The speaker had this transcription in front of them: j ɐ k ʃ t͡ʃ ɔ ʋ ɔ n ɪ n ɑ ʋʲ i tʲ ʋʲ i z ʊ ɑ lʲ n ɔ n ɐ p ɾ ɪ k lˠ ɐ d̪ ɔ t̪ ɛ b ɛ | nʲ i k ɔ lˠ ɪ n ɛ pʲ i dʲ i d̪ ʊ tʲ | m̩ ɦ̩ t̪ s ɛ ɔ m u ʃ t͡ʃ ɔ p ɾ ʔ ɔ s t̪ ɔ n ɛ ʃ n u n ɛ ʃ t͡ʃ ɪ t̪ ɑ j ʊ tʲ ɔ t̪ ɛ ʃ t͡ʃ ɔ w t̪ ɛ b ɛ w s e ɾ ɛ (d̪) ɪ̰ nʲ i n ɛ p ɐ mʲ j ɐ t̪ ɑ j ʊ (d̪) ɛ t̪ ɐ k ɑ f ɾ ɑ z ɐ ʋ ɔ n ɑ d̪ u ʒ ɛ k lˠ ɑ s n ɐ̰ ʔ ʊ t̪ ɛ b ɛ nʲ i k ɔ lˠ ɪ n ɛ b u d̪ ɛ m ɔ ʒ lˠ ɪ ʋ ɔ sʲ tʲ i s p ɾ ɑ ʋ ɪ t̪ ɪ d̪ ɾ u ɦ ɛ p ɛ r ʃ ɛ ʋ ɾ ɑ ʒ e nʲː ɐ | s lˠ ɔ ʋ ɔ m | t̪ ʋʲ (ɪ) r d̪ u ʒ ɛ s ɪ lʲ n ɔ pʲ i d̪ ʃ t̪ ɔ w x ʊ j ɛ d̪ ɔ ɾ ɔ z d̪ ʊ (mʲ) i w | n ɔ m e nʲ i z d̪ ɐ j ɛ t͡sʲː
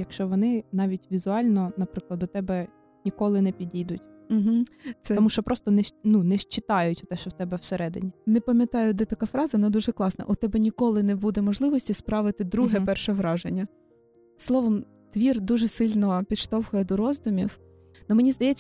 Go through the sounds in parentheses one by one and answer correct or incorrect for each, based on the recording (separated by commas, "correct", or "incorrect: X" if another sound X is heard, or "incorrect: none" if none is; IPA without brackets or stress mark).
correct, correct, incorrect: i, correct